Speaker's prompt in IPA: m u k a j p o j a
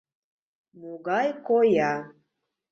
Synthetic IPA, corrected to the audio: m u ɡ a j k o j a